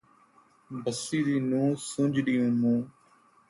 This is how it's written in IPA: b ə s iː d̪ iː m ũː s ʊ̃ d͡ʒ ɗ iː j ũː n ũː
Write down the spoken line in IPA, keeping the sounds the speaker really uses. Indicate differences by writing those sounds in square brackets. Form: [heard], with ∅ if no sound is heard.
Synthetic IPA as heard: b ə s iː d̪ iː [n] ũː s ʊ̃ d͡ʒ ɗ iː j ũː [m] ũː